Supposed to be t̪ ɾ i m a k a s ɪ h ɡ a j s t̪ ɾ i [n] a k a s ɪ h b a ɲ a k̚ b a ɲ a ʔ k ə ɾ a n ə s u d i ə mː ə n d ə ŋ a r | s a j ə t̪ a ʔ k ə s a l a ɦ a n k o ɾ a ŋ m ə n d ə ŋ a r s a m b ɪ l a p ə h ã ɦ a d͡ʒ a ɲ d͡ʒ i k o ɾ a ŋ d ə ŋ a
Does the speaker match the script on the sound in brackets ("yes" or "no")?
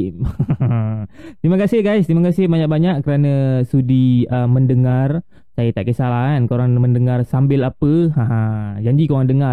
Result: no